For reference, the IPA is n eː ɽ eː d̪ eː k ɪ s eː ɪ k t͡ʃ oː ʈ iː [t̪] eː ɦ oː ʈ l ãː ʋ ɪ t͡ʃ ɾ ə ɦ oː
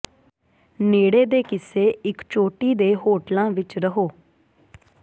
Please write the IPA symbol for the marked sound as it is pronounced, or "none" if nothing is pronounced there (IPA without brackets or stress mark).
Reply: d̪